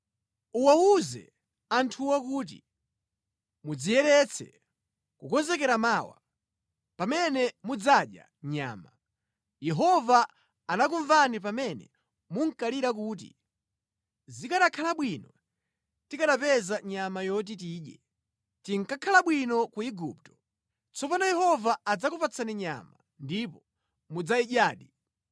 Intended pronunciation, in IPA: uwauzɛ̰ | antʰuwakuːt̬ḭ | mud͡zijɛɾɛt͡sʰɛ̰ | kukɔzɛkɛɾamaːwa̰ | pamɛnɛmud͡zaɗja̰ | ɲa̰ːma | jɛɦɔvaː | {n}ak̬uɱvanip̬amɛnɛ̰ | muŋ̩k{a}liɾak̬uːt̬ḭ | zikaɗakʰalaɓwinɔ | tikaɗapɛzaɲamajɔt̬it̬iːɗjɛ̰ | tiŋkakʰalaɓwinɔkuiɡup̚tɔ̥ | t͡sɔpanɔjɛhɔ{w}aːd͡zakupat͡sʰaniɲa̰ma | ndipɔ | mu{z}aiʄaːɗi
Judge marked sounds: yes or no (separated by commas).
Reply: yes, yes, no, no